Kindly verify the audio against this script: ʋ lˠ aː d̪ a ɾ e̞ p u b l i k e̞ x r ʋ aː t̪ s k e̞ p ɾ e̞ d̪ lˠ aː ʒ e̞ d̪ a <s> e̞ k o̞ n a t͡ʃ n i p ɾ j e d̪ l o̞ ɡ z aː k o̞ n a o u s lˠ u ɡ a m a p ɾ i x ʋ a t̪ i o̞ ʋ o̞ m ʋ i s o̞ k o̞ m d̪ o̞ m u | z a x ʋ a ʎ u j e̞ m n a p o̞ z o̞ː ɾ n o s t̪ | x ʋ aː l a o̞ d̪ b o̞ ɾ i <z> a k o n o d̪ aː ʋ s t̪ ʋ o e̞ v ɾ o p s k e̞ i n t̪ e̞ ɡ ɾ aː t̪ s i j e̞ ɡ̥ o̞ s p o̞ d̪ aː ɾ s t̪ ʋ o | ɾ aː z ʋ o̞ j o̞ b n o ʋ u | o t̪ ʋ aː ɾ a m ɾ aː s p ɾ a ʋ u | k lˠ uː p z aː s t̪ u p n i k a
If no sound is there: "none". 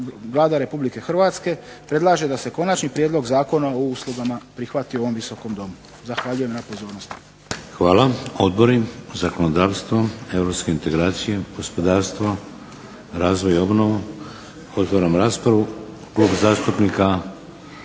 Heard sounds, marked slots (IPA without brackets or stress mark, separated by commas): s, z